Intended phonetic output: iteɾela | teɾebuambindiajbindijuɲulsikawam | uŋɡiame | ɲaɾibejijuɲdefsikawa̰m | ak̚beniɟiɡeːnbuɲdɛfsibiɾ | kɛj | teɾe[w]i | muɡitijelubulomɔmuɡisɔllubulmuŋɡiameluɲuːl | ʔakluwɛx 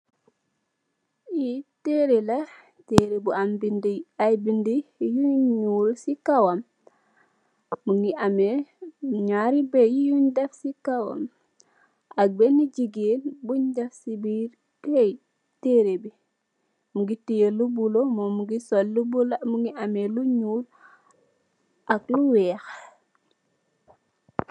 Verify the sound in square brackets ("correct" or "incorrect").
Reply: incorrect